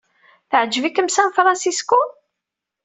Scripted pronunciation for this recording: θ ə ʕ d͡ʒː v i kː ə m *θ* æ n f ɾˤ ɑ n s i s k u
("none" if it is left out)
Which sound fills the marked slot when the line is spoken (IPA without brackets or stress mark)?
s